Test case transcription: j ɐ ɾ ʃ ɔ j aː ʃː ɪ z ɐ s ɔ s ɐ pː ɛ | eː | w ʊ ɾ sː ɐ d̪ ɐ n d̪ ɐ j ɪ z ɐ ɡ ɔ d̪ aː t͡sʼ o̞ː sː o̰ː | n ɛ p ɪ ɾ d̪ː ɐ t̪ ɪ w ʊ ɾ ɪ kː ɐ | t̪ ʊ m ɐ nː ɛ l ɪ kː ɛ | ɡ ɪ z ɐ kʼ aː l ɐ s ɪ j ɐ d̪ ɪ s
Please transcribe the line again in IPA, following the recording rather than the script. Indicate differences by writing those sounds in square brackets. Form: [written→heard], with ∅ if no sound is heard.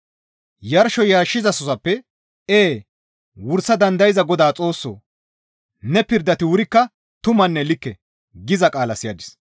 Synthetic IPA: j ɐ ɾ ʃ ɔ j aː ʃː ɪ z ɐ s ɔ s ɐ pː ɛ | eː | w ʊ ɾ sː ɐ d̪ ɐ n d̪ ɐ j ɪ z ɐ ɡ ɔ d̪ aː t͡sʼ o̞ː sː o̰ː | n ɛ p ɪ ɾ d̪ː ɐ t̪ ɪ w ʊ ɾ ɪ kː ɐ | t̪ ʊ m ɐ nː ɛ l ɪ kː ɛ | ɡ ɪ z ɐ kʼ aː l ɐ s ɪ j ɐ d̪ ɪ s